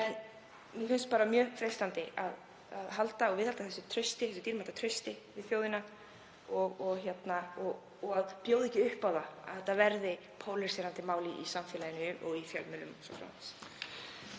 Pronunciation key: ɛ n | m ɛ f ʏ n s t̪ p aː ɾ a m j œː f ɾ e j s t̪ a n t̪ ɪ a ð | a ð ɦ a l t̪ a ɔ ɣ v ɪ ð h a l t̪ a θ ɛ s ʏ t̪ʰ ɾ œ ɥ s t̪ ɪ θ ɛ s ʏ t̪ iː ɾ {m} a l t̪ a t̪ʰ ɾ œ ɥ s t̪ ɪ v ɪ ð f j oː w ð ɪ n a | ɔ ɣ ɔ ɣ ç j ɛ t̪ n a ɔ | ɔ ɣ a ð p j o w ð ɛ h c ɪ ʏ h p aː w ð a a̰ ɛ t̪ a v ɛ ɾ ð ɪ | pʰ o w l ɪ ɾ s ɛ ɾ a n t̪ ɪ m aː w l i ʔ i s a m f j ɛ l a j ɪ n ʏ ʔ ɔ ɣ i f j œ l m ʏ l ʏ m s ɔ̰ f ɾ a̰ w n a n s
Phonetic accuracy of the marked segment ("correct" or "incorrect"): correct